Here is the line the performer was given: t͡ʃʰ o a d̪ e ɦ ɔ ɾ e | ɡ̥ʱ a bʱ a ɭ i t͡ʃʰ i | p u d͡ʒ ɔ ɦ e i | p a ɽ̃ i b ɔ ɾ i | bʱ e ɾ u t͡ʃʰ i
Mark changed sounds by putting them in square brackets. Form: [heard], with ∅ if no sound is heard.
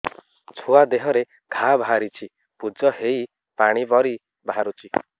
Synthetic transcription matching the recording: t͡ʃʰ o a d̪ e ɦ ɔ ɾ e | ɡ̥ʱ a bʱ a [ɾ] i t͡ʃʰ i | p u d͡ʒ ɔ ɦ e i | p a ɽ̃ i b ɔ ɾ i | bʱ [a] ɾ u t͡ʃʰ i